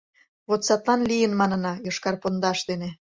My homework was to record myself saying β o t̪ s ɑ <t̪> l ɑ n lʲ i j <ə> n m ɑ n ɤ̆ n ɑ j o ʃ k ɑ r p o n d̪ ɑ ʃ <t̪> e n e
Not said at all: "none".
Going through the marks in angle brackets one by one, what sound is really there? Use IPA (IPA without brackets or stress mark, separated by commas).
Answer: t̪, ə, d̪